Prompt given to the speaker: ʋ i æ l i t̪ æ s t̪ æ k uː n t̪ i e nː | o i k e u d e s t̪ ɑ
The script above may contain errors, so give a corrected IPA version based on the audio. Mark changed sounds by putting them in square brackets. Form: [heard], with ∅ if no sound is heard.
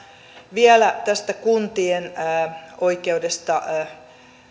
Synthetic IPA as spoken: ʋ i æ l [æ] t̪ æ s t̪ æ k [u] n t̪ i e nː | o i k e u d e s t̪ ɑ